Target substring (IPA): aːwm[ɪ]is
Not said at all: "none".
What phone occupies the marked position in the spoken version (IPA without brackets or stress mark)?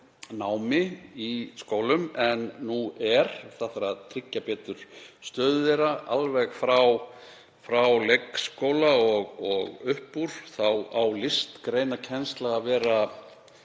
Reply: ɪ